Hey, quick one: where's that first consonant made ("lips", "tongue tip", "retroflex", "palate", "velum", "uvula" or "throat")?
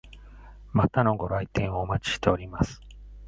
lips